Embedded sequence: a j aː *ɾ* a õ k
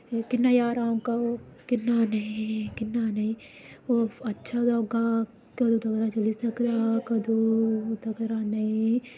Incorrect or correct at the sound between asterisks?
correct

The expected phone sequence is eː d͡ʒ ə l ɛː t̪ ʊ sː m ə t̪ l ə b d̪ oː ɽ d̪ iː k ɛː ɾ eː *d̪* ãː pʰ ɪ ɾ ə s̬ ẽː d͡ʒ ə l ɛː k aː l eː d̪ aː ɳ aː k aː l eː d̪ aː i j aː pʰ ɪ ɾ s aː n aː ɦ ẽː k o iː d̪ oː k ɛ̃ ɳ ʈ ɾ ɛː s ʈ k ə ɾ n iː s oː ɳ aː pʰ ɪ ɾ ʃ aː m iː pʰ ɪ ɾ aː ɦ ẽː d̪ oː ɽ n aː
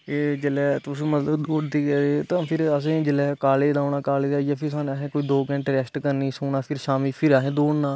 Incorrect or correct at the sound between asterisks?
incorrect: t̪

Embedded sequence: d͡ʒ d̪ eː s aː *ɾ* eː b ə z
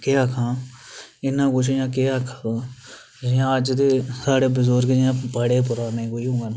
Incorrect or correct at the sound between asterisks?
incorrect: ɽ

